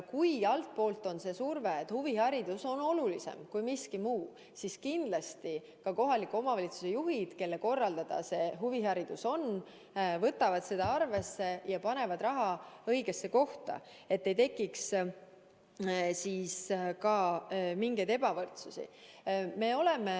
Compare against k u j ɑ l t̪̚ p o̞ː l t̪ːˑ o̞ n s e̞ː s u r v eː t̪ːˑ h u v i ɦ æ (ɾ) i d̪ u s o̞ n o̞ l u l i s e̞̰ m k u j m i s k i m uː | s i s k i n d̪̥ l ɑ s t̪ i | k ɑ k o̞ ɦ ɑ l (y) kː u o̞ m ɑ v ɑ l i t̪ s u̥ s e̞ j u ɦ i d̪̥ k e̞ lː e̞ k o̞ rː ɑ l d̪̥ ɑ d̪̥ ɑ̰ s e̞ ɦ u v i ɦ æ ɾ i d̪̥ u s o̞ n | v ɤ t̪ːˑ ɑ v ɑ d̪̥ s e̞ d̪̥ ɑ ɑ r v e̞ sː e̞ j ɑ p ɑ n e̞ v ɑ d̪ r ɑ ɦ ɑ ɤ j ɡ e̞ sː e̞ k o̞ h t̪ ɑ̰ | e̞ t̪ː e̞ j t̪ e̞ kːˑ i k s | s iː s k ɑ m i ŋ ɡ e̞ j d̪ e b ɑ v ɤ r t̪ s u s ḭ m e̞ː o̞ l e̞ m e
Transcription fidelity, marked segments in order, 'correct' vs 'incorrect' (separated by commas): correct, incorrect